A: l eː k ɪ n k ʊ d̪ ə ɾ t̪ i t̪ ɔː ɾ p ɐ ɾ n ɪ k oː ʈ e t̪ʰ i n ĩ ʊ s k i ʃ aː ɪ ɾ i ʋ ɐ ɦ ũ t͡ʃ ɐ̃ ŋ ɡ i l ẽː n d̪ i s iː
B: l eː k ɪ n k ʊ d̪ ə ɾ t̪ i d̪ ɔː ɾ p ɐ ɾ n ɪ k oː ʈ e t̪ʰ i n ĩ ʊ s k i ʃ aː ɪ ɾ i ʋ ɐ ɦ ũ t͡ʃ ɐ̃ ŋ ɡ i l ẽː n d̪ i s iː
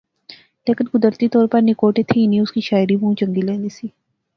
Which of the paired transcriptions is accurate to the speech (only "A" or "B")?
A